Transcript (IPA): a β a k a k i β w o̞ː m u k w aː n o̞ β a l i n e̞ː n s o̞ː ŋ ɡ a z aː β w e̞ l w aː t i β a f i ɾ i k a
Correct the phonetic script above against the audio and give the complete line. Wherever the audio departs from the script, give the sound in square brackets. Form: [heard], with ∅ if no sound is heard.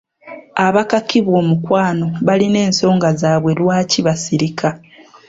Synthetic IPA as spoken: a β a k a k i β w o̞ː m u k w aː n o̞ β a l i n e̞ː n s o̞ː ŋ ɡ a z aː β w e̞ l w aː [c] i β a [s] i ɾ i k a